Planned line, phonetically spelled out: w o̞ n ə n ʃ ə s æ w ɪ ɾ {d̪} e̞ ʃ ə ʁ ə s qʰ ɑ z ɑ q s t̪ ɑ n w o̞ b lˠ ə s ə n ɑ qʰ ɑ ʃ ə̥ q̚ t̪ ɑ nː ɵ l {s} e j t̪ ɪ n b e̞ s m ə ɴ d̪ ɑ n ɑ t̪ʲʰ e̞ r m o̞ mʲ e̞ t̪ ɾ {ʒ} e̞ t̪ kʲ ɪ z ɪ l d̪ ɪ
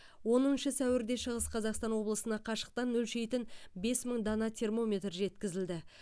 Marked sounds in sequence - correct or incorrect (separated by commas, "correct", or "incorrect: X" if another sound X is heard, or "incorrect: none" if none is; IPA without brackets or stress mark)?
correct, incorrect: ʃ, correct